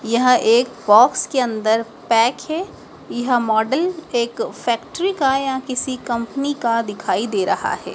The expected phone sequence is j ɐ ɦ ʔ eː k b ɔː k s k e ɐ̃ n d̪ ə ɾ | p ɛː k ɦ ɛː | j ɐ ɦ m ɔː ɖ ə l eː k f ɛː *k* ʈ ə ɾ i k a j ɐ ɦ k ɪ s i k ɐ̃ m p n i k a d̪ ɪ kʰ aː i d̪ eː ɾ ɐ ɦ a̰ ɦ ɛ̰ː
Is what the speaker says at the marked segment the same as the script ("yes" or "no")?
yes